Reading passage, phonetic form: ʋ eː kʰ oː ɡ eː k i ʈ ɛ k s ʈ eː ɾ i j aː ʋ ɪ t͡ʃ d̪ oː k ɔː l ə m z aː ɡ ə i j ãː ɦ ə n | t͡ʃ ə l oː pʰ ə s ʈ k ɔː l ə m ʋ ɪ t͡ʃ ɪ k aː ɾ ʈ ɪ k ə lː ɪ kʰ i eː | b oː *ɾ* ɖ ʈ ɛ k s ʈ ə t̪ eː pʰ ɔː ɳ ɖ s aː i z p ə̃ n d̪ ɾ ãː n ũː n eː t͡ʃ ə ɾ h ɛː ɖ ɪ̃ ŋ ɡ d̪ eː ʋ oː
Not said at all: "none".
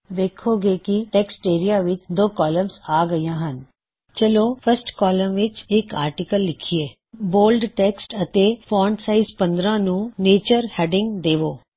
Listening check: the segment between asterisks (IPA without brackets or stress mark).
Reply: l